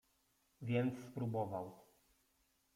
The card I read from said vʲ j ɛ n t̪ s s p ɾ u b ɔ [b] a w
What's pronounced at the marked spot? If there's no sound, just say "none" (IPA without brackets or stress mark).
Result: v